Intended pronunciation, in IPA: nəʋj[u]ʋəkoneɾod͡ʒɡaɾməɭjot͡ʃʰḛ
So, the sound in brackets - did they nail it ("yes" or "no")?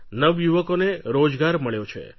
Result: yes